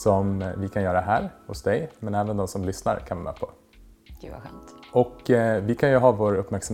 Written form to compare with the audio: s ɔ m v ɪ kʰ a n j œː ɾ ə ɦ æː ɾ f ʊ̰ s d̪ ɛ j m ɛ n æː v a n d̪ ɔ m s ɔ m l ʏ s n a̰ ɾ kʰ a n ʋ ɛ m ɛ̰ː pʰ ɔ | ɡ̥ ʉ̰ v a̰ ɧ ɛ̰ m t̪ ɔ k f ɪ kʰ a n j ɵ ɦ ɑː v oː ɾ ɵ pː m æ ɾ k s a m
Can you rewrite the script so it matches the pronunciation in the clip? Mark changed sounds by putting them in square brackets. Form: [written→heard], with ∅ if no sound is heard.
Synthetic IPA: s ɔ m v ɪ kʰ a n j œː ɾ [ə→a] ɦ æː ɾ [f→h] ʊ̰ s d̪ ɛ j m ɛ n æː v [a→ə] n d̪ ɔ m s ɔ m l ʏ s n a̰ ɾ kʰ a n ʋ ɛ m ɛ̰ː pʰ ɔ | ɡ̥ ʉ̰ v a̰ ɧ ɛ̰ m t̪ ɔ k [f→v] ɪ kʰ a n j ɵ ɦ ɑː v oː ɾ ɵ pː m æ ɾ k s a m